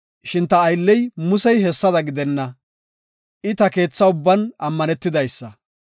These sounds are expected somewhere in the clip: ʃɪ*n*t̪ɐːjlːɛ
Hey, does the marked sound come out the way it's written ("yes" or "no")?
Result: yes